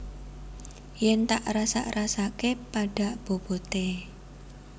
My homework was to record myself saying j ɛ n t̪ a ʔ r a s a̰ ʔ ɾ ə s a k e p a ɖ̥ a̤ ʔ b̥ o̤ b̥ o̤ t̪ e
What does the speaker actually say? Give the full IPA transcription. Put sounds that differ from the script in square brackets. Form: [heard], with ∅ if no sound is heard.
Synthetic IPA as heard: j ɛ n t̪ a ʔ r a s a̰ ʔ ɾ [a] s a k e p a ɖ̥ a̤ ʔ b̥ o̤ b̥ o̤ t̪ e